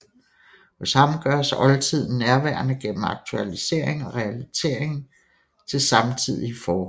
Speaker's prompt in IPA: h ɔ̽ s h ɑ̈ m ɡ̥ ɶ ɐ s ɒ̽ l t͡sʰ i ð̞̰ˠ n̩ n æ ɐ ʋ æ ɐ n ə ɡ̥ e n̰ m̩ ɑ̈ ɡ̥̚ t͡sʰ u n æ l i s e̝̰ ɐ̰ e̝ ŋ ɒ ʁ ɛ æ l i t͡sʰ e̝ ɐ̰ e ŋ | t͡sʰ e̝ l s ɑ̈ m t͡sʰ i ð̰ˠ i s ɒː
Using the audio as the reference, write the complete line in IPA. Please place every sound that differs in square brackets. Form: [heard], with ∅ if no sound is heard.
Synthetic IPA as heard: h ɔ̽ s h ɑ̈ m ɡ̥ ɶ ɐ s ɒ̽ l t͡sʰ i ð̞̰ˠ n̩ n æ ɐ ʋ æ ɐ n ə ɡ̥ e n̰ m̩ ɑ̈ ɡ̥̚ t͡sʰ u [∅] æ l i s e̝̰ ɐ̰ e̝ ŋ ɒ ʁ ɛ æ l i t͡sʰ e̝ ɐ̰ e ŋ | t͡sʰ e̝ l s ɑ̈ m t͡sʰ i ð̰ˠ i [f] ɒː